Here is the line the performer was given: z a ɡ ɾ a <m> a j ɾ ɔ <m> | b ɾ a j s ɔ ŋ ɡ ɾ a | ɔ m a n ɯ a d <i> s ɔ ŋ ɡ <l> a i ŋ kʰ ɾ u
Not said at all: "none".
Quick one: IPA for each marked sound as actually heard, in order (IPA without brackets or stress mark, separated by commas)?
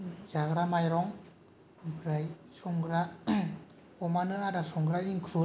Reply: m, ŋ, a, ɾ